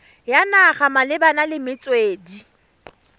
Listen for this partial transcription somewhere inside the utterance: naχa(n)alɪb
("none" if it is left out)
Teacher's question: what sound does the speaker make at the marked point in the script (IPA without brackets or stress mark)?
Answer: m